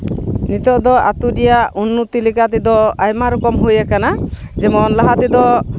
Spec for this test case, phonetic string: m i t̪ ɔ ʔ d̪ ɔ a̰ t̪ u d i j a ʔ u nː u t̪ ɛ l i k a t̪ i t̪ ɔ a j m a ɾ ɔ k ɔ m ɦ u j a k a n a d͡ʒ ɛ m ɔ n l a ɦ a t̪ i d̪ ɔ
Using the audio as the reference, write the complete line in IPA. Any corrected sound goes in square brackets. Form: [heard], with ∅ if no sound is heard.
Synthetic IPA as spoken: [n] i t̪ ɔ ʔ d̪ ɔ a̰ t̪ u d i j a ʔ u nː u t̪ [i] l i k a t̪ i [d̪] ɔ a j m a ɾ ɔ k ɔ m ɦ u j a k a n a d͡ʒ ɛ m ɔ n l a ɦ a t̪ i d̪ ɔ